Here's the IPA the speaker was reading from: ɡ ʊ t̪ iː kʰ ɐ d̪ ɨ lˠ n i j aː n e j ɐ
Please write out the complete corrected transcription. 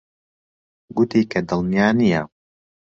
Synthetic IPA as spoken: ɡ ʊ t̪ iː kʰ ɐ d̪ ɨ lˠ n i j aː n i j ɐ